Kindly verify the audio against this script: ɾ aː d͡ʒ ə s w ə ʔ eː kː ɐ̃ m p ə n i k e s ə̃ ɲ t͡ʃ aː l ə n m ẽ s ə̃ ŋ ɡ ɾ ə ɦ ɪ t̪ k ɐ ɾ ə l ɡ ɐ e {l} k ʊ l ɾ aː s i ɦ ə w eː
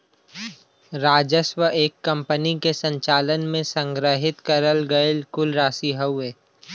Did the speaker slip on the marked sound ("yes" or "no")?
no